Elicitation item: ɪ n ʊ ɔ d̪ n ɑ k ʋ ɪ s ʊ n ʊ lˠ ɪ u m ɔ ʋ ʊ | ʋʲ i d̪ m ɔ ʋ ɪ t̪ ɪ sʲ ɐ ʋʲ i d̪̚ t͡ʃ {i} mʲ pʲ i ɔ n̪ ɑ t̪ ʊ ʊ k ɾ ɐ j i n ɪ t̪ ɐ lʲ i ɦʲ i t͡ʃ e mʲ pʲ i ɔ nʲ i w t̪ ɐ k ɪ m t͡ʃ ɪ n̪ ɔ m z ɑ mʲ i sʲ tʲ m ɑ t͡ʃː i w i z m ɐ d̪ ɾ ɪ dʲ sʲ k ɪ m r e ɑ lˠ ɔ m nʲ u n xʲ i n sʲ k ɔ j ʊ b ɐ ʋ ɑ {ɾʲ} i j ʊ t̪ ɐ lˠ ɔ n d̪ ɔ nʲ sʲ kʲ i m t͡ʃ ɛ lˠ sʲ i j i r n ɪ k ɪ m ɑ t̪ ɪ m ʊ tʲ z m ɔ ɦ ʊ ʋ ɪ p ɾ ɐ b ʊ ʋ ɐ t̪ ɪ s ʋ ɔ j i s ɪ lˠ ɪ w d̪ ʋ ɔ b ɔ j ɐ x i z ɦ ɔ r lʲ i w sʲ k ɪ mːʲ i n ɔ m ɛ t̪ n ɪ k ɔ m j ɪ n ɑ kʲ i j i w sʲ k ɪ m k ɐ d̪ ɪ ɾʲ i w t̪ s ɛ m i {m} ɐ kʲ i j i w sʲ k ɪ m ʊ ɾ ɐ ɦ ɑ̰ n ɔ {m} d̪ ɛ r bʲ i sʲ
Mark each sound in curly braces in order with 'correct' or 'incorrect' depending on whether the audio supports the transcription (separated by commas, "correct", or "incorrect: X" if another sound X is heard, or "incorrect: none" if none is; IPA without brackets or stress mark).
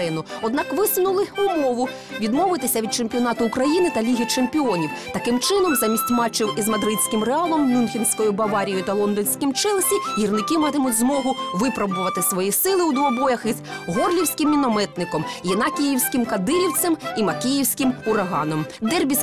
incorrect: e, correct, correct, correct